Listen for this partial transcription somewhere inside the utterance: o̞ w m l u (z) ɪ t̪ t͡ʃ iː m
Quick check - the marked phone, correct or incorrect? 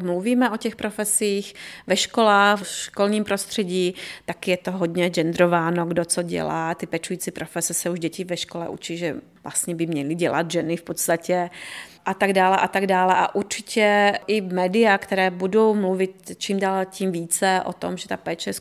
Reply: incorrect